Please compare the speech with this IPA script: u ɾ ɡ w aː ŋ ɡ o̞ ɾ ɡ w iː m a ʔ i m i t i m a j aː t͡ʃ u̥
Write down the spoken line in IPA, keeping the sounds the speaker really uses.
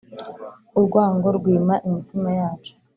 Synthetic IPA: u ɾ ɡ w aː ŋ ɡ o̞ ɾ ɡ w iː m a ʔ i m i t i m a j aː t͡ʃ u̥